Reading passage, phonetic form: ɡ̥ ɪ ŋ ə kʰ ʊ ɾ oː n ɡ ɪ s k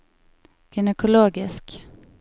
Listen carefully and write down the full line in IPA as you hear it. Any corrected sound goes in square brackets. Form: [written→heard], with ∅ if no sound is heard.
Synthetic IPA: ɡ̥ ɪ [ŋ→n] ə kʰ ʊ [ɾ→l] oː [n→∅] ɡ ɪ s k